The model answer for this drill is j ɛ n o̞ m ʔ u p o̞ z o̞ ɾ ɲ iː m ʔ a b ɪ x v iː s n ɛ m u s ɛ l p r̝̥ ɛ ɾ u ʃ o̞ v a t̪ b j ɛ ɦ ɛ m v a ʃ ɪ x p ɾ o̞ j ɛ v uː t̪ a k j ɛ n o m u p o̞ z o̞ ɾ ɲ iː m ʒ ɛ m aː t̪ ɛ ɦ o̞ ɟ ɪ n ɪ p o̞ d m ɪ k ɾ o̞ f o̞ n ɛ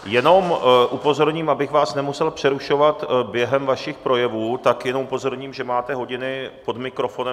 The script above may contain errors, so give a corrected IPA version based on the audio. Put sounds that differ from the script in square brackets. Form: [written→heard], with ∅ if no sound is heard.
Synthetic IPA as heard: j ɛ n o̞ m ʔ u p o̞ z o̞ ɾ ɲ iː m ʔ a b ɪ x v [iː→aː] s n ɛ m u s ɛ l p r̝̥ ɛ ɾ u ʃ o̞ v a t̪ b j ɛ ɦ ɛ m v a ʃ ɪ x p ɾ o̞ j ɛ v uː t̪ a k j ɛ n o m u p o̞ z o̞ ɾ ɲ iː m ʒ ɛ m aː t̪ ɛ ɦ o̞ ɟ ɪ n ɪ p o̞ d m ɪ k ɾ o̞ f o̞ n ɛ